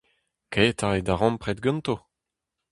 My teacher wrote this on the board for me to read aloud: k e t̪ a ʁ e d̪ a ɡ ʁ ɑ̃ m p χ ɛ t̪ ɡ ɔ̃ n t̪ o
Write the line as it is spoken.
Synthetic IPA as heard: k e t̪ a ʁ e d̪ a ʁ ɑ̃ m p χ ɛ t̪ ɡ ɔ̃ n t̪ o